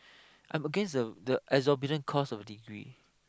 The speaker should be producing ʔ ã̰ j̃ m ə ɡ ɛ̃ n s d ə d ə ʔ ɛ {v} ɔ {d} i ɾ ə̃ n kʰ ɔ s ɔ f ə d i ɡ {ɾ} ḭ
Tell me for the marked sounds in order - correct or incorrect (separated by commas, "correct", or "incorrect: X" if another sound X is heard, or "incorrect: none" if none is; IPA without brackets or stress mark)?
incorrect: z, incorrect: b, incorrect: ɹ